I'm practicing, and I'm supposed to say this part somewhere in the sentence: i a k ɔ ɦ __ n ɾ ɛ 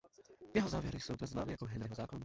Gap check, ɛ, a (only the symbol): ɛ